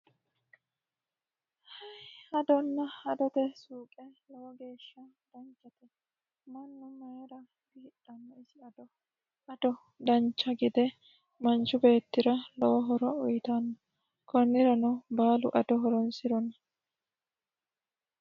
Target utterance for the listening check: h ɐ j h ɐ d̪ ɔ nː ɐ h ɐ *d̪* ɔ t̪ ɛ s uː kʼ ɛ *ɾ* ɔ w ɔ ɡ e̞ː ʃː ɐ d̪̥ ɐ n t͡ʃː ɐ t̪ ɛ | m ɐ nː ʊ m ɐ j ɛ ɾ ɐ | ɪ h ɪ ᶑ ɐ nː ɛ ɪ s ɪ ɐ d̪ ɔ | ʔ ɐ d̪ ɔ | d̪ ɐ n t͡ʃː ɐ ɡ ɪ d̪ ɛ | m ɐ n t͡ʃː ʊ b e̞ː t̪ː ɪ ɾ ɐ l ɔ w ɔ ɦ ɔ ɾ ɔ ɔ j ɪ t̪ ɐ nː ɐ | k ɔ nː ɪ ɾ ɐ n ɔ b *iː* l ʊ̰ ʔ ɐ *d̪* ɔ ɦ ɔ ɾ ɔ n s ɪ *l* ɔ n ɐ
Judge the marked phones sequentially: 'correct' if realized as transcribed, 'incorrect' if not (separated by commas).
correct, incorrect, incorrect, correct, incorrect